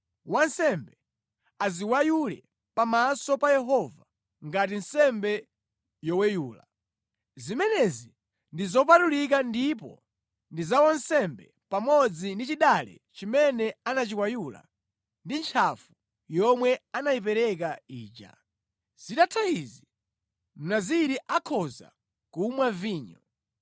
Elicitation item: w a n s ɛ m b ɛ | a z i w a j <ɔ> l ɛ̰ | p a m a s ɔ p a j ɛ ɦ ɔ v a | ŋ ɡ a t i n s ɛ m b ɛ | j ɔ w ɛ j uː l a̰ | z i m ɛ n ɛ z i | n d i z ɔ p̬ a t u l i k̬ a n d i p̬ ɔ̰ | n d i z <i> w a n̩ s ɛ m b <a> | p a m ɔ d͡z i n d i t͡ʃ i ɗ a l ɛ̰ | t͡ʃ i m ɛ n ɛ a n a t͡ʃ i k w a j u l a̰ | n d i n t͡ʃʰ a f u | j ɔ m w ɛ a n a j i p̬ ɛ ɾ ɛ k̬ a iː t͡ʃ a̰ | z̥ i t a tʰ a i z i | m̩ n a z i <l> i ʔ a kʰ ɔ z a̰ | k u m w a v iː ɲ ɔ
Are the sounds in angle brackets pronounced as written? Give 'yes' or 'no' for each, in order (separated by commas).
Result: no, no, no, no